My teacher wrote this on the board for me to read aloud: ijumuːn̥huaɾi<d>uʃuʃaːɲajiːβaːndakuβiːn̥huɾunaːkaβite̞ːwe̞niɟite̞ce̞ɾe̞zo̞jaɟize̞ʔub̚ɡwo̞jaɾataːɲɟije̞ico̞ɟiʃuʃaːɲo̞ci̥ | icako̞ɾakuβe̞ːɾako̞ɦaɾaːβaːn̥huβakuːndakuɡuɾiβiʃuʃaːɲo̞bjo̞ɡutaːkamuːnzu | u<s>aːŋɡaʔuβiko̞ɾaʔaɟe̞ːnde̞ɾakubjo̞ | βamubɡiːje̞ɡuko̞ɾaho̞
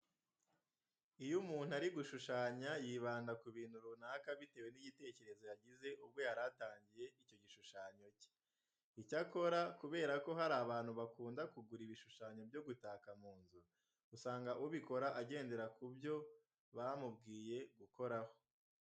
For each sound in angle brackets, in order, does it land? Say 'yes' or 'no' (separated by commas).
no, yes